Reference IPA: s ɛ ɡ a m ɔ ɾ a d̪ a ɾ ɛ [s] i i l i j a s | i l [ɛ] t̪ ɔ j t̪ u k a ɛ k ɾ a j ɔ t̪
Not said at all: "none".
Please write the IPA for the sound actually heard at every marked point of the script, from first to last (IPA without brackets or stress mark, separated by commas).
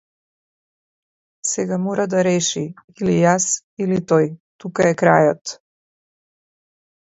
ʃ, i